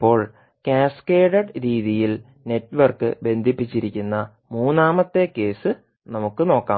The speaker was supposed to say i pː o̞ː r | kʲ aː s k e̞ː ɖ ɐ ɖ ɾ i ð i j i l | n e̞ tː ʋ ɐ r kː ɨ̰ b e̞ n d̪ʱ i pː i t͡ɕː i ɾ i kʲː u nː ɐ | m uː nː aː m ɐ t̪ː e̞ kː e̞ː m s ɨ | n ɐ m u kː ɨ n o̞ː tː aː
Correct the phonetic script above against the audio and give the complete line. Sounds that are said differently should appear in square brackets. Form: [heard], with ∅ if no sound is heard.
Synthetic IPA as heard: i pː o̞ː [ɭ] | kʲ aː s k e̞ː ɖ ɐ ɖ ɾ [iː] ð i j i l | n e̞ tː ʋ ɐ r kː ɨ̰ b e̞ n d̪ʱ i pː i t͡ɕː i ɾ i kʲː u nː ɐ | m uː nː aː m ɐ t̪ː e̞ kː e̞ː [∅] s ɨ | n ɐ m u kː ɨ n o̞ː [kː] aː